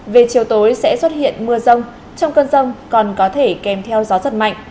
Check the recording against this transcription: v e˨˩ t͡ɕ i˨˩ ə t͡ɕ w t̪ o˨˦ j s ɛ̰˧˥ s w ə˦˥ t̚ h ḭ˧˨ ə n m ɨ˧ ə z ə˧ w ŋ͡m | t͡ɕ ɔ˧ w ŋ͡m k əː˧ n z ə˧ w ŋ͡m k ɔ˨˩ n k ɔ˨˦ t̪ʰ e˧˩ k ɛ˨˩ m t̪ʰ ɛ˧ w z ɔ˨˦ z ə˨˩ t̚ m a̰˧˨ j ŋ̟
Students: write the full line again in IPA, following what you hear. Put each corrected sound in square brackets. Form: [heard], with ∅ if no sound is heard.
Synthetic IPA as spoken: v e˨˩ t͡ɕ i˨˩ ə [∅] w t̪ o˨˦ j s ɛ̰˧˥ s w ə˦˥ t̚ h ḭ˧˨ ə n m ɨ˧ ə z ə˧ w ŋ͡m | t͡ɕ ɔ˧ w ŋ͡m k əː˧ n z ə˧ w ŋ͡m k ɔ˨˩ n k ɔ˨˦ t̪ʰ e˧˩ k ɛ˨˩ m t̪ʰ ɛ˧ w z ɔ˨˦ z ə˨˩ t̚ m a̰˧˨ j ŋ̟